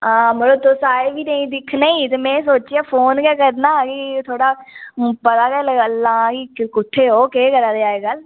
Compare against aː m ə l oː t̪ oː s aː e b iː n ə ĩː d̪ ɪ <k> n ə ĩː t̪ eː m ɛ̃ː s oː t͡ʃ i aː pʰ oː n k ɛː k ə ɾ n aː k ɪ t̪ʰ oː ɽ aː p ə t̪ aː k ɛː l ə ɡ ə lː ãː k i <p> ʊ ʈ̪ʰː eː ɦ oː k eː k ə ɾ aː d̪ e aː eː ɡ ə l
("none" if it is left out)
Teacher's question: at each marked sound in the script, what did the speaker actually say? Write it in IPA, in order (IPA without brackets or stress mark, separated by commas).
kʰ, k